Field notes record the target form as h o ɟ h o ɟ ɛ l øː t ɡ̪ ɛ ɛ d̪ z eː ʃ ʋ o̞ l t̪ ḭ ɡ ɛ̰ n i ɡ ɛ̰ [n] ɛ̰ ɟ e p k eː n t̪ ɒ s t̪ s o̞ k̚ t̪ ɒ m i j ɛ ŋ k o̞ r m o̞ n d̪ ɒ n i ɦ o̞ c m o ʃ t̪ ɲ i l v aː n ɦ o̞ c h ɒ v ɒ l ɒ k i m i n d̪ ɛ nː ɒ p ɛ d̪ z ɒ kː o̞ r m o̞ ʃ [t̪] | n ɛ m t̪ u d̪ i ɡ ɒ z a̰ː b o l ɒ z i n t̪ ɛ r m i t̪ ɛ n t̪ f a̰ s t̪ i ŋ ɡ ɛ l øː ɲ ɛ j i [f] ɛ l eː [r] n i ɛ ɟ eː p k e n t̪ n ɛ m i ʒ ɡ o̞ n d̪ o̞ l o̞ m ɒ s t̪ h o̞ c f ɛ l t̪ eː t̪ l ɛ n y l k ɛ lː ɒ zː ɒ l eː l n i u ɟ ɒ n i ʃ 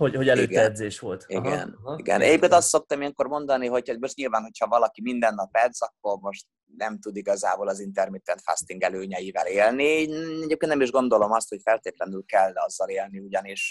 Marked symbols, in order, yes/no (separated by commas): yes, yes, no, no